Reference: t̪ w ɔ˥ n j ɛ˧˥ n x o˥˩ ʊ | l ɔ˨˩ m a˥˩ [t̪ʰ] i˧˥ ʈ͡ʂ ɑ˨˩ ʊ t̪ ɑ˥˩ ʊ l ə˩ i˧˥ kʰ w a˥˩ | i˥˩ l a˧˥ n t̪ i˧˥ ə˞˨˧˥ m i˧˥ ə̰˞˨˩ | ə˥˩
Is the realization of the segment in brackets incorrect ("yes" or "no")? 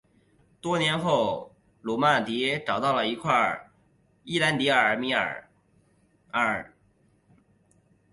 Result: yes